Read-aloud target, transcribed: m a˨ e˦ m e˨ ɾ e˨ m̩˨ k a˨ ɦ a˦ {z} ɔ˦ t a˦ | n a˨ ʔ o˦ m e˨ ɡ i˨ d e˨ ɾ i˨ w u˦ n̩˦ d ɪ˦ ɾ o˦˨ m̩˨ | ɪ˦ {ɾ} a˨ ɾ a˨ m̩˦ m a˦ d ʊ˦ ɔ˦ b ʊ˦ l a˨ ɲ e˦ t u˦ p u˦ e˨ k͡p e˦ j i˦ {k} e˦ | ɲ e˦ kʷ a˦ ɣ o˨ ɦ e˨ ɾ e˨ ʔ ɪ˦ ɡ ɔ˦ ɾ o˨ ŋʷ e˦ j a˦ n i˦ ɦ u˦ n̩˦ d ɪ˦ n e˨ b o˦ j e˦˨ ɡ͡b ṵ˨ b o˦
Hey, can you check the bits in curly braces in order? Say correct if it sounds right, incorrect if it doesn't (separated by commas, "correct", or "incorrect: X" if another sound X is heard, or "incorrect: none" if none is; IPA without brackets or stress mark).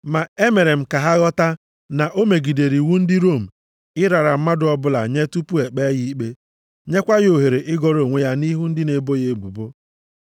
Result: incorrect: ɣ, correct, incorrect: k͡p